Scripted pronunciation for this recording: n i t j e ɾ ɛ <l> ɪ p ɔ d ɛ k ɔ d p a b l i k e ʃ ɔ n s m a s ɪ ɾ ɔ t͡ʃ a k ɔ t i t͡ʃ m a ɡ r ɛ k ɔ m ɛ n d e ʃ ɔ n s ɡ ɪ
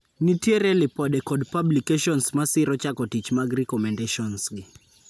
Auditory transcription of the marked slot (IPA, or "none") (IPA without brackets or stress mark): l